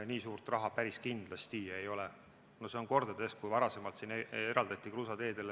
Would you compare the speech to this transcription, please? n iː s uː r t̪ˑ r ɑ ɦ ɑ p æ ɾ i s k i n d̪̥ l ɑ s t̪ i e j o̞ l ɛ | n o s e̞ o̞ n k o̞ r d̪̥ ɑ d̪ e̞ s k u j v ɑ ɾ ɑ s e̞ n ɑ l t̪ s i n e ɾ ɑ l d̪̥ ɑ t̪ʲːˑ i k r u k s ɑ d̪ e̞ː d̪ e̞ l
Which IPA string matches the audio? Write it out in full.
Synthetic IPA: n iː s uː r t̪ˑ r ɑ ɦ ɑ p æ ɾ i s k i n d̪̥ l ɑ s t̪ i e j o̞ l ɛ | n o s e̞ o̞ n k o̞ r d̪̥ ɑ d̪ e̞ s k u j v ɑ ɾ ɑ s e̞ m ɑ l t̪ s i n e ɾ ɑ l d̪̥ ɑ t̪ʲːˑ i k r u s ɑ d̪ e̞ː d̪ e̞ l